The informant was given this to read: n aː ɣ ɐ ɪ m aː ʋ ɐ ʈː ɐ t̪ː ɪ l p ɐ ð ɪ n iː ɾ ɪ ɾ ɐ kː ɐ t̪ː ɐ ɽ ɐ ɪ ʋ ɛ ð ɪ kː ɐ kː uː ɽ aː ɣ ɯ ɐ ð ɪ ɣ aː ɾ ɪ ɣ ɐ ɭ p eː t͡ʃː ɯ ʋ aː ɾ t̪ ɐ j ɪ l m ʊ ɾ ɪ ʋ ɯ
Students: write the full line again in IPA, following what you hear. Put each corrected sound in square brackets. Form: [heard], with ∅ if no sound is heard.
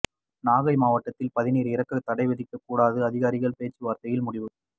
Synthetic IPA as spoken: n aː ɣ ɐ ɪ m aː ʋ ɐ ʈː ɐ t̪ː ɪ l p ɐ ð ɪ n iː ɾ ɪ ɾ ɐ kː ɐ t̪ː ɐ ɽ ɐ ɪ ʋ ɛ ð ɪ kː ɐ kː uː ɽ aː [ð] ɯ ɐ ð ɪ ɣ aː ɾ ɪ ɣ ɐ ɭ p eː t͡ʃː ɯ ʋ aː ɾ t̪ ɐ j ɪ l m ʊ [ɽ] ɪ ʋ ɯ